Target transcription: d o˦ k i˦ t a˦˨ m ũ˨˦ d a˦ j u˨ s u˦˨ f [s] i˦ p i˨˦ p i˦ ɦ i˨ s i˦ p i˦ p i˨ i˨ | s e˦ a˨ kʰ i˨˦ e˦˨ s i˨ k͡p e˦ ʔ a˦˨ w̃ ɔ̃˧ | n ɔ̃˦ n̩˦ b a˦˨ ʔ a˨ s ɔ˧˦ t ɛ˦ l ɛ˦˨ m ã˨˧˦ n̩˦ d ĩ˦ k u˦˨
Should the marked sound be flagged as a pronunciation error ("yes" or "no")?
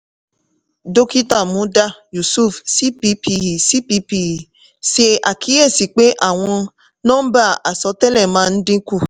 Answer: no